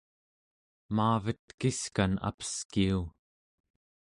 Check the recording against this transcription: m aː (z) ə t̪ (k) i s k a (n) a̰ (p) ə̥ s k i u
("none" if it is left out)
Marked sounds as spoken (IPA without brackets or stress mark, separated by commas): v, k, n, p